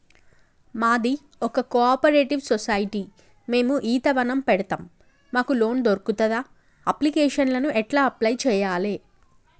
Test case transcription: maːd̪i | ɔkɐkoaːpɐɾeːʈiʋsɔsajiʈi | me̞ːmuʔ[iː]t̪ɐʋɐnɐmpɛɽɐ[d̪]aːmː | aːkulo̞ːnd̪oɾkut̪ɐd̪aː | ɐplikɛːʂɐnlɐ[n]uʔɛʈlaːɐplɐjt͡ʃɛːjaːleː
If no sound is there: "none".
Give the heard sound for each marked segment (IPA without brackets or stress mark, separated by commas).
iː, t̪, n